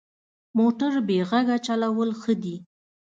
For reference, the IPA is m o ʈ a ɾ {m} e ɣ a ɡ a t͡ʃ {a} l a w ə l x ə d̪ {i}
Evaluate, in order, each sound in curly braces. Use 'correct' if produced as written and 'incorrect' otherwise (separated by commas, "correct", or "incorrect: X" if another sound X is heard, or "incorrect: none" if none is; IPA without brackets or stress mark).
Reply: incorrect: b, correct, correct